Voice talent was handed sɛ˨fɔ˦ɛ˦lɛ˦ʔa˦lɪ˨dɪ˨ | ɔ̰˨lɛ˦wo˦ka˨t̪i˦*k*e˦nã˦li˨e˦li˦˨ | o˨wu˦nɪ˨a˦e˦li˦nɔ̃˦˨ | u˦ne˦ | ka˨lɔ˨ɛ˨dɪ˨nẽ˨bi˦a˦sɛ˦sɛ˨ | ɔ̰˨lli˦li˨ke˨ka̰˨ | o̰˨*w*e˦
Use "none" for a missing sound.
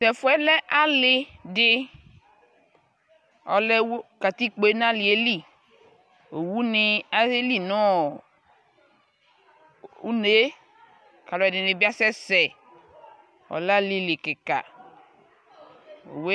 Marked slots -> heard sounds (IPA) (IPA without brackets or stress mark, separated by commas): k͡p, w